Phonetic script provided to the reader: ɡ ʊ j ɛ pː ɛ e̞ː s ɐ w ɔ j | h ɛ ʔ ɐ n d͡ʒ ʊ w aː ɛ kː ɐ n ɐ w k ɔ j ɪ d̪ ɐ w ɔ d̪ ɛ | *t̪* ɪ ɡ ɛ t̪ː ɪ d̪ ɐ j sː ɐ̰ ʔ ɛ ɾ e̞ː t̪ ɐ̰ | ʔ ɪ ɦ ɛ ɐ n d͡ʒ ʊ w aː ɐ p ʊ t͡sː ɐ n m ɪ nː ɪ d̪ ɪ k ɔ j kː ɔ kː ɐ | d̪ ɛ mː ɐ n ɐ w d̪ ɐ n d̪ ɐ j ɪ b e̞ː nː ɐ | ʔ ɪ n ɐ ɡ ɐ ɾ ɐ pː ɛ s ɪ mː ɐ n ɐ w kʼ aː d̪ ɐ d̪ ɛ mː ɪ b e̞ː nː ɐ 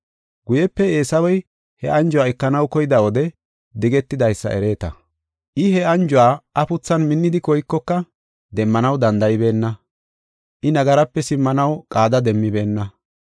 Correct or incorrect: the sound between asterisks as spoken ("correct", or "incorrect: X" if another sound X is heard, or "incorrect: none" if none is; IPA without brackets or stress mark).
incorrect: d̪